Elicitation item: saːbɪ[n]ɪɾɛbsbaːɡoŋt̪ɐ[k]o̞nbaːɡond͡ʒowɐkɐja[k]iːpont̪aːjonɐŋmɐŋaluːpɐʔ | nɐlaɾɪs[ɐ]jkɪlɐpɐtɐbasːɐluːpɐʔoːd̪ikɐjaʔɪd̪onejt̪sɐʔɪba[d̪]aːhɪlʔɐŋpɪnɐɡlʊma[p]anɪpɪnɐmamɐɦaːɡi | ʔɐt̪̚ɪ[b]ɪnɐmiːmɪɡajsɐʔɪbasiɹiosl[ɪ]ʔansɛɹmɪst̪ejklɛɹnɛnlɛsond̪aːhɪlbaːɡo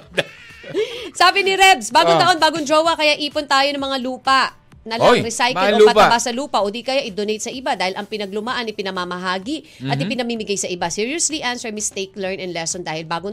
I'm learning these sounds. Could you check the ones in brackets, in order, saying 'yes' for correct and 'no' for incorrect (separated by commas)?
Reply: yes, no, no, no, yes, no, no, no